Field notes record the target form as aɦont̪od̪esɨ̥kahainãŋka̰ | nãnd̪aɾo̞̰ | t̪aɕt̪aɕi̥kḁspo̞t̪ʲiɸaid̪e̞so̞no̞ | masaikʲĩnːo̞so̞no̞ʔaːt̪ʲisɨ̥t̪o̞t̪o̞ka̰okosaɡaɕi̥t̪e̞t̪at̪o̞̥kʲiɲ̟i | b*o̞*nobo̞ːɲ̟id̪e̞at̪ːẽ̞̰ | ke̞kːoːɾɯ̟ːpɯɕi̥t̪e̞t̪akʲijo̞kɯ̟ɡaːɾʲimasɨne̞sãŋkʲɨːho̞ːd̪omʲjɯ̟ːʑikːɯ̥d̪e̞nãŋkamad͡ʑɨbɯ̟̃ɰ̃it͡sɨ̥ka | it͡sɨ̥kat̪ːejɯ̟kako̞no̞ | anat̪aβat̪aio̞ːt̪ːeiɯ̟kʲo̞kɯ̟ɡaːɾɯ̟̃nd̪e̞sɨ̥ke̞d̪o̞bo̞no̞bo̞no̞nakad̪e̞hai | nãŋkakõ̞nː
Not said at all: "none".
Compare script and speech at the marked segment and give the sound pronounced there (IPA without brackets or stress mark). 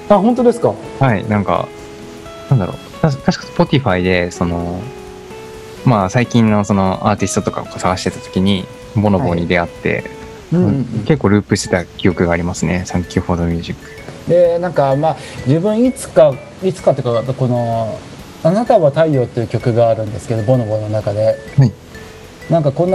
o̞